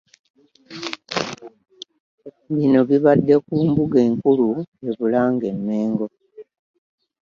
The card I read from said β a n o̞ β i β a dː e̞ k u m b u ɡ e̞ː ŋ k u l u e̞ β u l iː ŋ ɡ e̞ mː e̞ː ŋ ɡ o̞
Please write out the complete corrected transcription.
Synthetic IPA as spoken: β i n o̞ β i β a dː e̞ k uː m b u ɡ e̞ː ŋ k u l u e̞ β u l aː ŋ ɡ e̞ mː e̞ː ŋ ɡ o̞